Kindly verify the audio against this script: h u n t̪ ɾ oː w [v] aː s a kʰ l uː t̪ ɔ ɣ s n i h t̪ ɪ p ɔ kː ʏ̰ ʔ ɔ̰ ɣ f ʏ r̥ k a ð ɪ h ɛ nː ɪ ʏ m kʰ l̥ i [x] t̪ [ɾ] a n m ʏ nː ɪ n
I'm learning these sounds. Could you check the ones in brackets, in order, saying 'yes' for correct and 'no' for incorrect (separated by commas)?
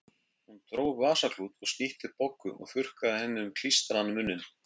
yes, no, yes